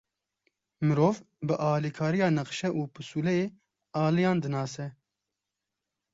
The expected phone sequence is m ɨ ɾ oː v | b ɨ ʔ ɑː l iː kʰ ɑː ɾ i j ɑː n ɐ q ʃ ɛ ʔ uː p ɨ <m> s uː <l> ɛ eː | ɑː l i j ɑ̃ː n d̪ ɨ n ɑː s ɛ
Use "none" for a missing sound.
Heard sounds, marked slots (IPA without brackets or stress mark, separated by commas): none, l